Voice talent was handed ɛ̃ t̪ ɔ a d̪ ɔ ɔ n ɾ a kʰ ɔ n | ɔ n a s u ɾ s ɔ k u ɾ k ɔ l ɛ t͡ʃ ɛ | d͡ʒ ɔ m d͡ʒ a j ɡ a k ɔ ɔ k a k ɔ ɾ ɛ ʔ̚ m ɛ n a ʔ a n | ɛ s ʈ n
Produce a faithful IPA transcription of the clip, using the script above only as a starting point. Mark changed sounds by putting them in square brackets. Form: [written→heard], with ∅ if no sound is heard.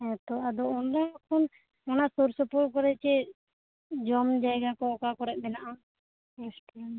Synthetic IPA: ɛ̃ t̪ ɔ a d̪ ɔ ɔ n ɾ a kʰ ɔ n | ɔ n a s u ɾ s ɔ [k→p] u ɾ k ɔ [l→ɾ] ɛ t͡ʃ ɛ | d͡ʒ ɔ m d͡ʒ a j ɡ a k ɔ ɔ k a k ɔ ɾ ɛ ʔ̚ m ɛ n a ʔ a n | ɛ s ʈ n